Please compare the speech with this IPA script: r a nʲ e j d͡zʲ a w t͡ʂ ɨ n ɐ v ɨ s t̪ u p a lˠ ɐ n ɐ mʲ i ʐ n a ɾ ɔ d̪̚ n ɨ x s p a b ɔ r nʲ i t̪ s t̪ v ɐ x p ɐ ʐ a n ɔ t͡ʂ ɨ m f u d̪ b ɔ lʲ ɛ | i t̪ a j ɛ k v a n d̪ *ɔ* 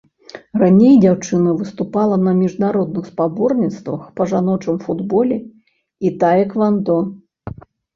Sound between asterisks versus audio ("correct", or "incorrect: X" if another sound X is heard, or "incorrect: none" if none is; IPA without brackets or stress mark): correct